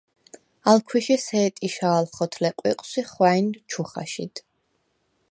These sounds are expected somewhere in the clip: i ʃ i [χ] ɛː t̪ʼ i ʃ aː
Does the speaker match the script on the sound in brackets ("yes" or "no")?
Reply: no